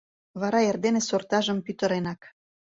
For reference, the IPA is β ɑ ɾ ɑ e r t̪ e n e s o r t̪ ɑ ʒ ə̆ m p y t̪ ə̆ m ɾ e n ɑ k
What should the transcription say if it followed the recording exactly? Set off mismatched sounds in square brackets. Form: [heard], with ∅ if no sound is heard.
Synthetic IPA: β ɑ ɾ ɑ e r [d̪] e n e s o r t̪ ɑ ʒ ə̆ m p y t̪ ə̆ [∅] ɾ e n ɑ k